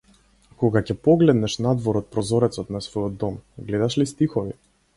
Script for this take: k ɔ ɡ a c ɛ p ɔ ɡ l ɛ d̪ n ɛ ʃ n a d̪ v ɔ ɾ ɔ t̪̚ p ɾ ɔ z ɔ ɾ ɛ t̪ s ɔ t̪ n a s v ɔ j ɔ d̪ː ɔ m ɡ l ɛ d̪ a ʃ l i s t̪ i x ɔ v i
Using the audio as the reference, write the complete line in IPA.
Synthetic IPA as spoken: k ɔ ɡ a c ɛ p ɔ ɡ l ɛ d̪ n ɛ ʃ n a d̪ v ɔ ɾ ɔ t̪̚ p ɾ ɔ z ɔ ɾ ɛ t̪ s ɔ t̪ n a s v ɔ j ɔ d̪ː ɔ m ɡ l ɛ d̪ a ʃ l i s t̪ i x ɔ v i

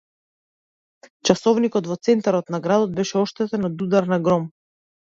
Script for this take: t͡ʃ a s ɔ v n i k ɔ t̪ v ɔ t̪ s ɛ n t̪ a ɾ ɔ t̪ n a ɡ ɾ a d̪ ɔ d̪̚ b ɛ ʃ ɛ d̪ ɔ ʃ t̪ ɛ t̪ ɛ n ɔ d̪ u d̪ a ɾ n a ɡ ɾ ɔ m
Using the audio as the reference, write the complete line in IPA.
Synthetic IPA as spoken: t͡ʃ a s ɔ v n i k ɔ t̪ v ɔ t̪ s ɛ n t̪ a ɾ ɔ t̪ n a ɡ ɾ a d̪ ɔ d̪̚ b ɛ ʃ ɛ ɔ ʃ t̪ ɛ t̪ ɛ n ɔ d̪ u d̪ a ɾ n a ɡ ɾ ɔ m

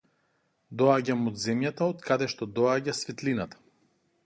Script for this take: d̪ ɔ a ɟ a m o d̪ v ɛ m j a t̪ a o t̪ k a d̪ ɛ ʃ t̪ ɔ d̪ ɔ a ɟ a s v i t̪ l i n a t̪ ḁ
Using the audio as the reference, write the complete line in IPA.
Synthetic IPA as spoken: d̪ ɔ a ɟ a m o d̪ z ɛ m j a t̪ a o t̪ k a d̪ ɛ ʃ t̪ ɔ d̪ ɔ a ɟ a s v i t̪ l i n a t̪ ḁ

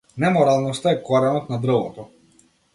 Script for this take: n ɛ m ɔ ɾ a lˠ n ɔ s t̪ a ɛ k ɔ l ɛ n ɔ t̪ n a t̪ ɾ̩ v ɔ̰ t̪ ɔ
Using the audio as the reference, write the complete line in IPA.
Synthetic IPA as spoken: n ɛ m ɔ ɾ a lˠ n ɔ s t̪ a ɛ k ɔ ɾ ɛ n ɔ t̪ n a d̪ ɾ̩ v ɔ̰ t̪ ɔ

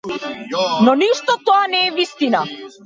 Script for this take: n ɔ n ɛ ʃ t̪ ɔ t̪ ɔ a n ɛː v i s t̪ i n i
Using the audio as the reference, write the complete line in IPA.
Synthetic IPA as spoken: n ɔ n i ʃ t̪ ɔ t̪ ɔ a n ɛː v i s t̪ i n a

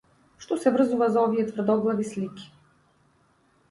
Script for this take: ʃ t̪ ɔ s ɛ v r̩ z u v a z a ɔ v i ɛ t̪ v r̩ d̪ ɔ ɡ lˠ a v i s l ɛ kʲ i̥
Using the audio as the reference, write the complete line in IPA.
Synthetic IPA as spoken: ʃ t̪ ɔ s ɛ v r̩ z u v a z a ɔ v i ɛ t̪ v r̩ d̪ ɔ ɡ lˠ a v i s l i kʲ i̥

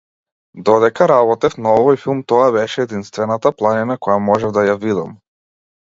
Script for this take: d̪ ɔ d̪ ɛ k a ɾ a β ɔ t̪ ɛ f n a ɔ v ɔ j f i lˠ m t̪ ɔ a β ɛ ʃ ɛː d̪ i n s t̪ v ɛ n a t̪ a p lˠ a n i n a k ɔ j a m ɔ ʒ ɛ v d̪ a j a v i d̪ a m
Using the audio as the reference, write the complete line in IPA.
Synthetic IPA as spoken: d̪ ɔ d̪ ɛ k a ɾ a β ɔ t̪ ɛ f n a ɔ v ɔ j f i lˠ m t̪ ɔ a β ɛ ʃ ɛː d̪ i n s t̪ v ɛ n a t̪ a p lˠ a n i n a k ɔ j a m ɔ ʒ ɛ v d̪ a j a v i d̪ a m

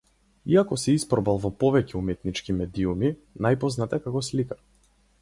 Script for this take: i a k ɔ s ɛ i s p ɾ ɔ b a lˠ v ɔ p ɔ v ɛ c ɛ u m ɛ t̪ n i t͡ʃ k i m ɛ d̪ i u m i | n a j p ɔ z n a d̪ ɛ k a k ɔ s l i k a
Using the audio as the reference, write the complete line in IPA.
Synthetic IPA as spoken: i a k ɔ s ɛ i s p ɾ ɔ b a lˠ v ɔ p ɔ v ɛ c ɛ u m ɛ t̪ n i t͡ʃ k i m ɛ d̪ i u m i | n a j p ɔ z n a t̪ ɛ k a k ɔ s l i k a

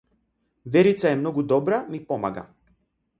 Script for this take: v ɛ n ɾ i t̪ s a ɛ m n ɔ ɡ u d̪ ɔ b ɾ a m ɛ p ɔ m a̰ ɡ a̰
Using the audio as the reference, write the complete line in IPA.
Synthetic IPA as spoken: v ɛ ɾ i t̪ s a ɛ m n ɔ ɡ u d̪ ɔ b ɾ a m i p ɔ m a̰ ɡ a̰

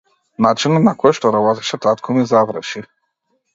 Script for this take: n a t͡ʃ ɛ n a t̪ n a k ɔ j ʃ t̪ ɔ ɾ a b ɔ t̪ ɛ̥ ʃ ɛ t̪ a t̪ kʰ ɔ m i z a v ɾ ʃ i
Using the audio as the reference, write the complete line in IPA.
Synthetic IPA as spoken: n a t͡ʃ i n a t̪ n a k ɔ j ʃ t̪ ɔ ɾ a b ɔ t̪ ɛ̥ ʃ ɛ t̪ a t̪ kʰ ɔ m i z a v ɾ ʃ i

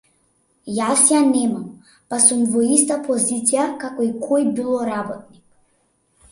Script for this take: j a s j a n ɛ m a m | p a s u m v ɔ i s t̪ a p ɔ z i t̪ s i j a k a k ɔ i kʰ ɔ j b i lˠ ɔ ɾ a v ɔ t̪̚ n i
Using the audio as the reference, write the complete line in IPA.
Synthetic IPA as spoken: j a s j a n ɛ m a m | p a s u m v ɔ i s t̪ a p ɔ z i t̪ s i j a k a k ɔ i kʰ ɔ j b i lˠ ɔ ɾ a b ɔ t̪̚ n i

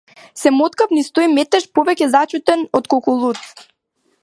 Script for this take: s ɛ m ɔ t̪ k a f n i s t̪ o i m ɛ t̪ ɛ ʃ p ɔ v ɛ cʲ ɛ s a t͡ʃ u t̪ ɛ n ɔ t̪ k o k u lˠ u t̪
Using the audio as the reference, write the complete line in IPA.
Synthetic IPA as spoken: s ɛ m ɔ t̪ k a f n i s t̪ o i m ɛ t̪ ɛ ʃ p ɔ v ɛ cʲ ɛ z a t͡ʃ u t̪ ɛ n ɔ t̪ k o k u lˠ u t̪

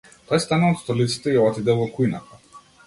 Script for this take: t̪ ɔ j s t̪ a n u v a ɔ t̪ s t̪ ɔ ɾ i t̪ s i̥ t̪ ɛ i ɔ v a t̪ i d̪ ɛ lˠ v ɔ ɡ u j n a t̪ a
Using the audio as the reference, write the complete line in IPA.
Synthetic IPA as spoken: t̪ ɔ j s t̪ a n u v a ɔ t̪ s t̪ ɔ l i t̪ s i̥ t̪ ɛ i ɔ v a t̪ i d̪ ɛ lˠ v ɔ k u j n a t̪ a

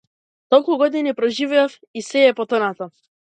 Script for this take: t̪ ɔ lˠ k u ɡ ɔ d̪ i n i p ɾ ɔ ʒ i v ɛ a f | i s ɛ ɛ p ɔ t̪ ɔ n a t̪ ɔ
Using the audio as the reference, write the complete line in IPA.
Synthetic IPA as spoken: t̪ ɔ lˠ k u ɡ ɔ d̪ i n i p ɾ ɔ ʒ i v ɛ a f | i s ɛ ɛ p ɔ t̪ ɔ n a t̪ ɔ

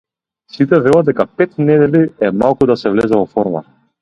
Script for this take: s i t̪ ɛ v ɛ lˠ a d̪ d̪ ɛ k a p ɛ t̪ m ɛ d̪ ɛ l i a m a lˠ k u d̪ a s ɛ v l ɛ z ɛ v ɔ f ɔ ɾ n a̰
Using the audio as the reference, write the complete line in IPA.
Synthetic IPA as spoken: s i t̪ ɛ v ɛ lˠ a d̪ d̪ ɛ k a p ɛ t̪ n ɛ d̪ ɛ l i ɛ m a lˠ k u d̪ a s ɛ v l ɛ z ɛ v ɔ f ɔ ɾ m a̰

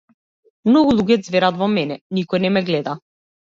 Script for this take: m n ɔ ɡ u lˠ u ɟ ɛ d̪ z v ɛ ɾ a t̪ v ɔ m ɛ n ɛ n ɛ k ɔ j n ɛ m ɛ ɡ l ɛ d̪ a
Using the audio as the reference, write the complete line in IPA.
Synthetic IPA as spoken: m n ɔ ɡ u lˠ u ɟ ɛ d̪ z v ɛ ɾ a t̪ v ɔ m ɛ n ɛ n i k ɔ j n ɛ m ɛ ɡ l ɛ d̪ a

